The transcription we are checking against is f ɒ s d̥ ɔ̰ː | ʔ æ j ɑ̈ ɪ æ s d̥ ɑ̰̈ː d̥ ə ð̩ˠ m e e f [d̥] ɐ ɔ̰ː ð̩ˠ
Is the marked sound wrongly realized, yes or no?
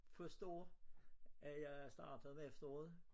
no